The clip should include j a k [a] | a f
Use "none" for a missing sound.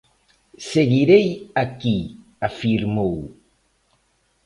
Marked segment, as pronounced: i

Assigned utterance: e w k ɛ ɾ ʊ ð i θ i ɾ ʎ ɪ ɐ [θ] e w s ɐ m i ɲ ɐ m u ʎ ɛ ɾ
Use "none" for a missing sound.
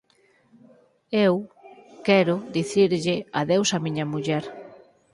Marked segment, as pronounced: ð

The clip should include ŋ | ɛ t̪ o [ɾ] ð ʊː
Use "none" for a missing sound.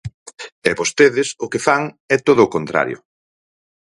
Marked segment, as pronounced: none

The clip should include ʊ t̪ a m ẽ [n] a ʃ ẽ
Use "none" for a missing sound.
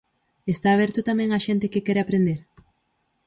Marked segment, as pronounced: ŋ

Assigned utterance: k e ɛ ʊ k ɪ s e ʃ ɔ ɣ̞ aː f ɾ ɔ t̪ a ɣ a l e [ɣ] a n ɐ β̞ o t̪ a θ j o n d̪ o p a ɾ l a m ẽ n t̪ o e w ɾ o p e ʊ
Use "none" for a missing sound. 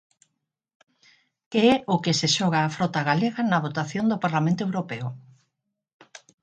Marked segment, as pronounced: ɣ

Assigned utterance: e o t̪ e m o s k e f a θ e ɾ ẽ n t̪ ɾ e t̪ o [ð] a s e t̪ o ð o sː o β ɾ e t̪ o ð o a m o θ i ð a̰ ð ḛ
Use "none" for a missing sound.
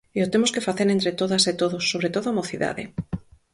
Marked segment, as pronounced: ð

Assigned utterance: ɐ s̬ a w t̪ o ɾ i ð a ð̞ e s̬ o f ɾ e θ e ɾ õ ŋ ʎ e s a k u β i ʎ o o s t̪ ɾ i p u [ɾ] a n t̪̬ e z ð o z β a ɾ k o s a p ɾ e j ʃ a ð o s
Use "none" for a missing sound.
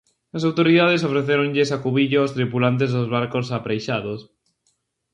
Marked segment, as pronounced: l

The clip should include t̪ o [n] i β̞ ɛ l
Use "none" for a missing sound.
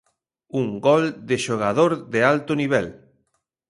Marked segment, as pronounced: n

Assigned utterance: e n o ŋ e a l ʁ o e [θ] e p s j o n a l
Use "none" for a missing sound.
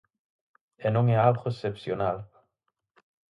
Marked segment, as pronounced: s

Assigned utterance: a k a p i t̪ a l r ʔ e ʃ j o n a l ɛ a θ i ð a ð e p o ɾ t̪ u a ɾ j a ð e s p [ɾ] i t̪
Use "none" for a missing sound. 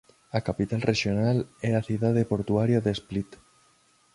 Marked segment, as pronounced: l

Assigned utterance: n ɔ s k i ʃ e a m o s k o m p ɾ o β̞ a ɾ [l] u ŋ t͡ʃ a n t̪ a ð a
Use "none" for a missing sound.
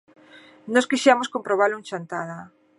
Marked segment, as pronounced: l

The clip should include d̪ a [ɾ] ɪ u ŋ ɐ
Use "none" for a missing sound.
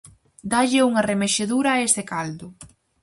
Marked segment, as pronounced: ʎ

